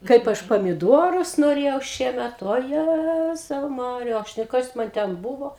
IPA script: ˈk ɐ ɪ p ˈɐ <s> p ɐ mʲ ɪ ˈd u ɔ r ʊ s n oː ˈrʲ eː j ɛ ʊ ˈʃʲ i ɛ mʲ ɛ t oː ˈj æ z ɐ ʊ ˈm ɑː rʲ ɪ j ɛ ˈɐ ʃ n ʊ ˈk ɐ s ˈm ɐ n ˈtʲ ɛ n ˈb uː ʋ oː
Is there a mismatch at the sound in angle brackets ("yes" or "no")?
yes